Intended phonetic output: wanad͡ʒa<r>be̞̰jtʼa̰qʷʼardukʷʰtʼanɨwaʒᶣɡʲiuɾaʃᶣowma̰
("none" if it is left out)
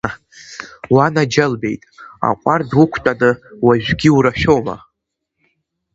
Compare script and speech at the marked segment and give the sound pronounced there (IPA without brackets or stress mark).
l